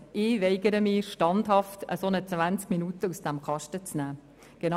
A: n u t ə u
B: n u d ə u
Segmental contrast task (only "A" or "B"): A